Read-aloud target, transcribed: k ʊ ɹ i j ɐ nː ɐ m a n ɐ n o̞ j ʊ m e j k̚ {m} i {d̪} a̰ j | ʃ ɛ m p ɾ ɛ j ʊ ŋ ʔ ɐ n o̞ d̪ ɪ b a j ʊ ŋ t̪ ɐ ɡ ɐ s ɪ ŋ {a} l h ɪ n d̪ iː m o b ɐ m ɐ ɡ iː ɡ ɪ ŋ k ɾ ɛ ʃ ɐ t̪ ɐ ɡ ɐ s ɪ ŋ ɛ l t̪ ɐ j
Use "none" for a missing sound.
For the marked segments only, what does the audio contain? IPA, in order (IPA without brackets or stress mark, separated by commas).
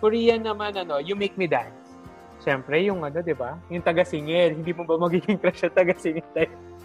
m, d̪, ɛ